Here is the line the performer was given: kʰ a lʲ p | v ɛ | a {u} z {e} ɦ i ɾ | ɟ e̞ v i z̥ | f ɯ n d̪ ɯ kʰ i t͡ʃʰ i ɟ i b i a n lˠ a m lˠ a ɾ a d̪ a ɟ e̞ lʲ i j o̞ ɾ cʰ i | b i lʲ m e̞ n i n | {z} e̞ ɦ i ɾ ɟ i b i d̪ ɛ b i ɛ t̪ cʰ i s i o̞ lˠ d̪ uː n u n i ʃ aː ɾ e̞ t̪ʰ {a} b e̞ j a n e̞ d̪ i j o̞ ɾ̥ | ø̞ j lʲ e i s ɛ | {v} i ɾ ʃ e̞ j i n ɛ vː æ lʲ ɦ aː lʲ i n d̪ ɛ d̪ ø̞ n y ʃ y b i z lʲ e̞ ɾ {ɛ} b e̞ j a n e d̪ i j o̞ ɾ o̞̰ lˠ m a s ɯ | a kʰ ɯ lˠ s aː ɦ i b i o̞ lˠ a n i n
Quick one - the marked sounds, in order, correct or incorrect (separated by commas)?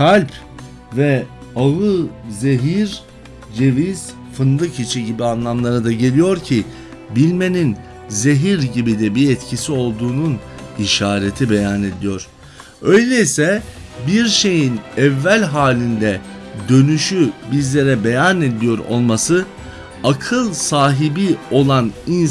incorrect, correct, correct, incorrect, incorrect, correct